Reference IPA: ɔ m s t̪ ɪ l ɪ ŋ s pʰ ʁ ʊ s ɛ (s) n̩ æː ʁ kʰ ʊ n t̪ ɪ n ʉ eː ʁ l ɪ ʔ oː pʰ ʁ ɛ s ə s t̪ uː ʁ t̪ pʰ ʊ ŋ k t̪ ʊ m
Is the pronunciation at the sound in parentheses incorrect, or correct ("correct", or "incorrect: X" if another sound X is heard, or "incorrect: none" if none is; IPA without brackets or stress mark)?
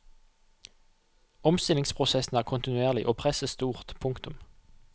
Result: correct